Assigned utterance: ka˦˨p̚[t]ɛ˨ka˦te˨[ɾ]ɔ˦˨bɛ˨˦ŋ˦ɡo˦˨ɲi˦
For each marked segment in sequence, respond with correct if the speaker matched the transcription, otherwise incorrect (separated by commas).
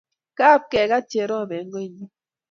incorrect, correct